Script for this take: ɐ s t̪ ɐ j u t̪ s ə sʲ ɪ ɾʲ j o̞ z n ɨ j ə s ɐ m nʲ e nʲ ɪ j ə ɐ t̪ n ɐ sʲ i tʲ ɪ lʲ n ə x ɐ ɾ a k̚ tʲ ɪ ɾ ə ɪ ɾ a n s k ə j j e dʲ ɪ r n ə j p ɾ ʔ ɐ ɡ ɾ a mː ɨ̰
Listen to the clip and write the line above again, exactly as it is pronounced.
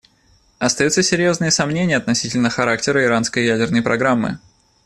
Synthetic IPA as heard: ɐ s t̪ ɐ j u t̪ s ə sʲ ɪ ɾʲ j o̞ z n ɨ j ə s ɐ m nʲ e nʲ ɪ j ə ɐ t̪ n ɐ sʲ i tʲ ɪ lʲ n ə x ɐ ɾ a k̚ tʲ ɪ ɾ ə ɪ ɾ a n s k ə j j æ dʲ ɪ r n ə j p ɾ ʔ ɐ ɡ ɾ a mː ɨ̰